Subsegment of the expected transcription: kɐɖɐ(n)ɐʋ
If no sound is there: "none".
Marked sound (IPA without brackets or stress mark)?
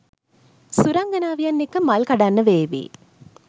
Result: nː